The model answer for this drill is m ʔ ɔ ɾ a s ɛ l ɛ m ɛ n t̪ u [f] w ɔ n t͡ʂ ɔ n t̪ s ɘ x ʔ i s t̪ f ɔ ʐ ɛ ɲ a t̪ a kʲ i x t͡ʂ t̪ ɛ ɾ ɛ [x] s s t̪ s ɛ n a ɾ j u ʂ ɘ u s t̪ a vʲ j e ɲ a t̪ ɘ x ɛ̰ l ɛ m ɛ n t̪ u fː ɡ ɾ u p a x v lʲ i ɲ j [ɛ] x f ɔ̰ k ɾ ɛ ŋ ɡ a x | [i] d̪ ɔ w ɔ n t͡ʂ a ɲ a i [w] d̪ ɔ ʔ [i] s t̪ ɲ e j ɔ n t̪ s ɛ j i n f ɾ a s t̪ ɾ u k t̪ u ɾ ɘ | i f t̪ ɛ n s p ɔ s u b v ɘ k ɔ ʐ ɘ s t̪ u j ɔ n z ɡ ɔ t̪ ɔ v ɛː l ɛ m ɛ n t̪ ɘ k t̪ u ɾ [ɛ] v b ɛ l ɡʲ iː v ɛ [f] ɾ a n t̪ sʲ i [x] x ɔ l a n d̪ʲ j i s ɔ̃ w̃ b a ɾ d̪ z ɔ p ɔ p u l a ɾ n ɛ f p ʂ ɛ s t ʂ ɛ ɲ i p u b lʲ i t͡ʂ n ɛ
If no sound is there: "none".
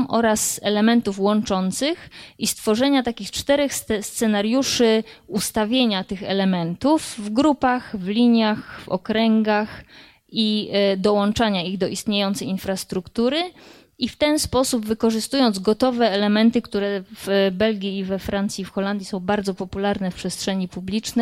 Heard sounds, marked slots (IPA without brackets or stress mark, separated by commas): f, x, a, i, ɣ, i, ɛ, f, f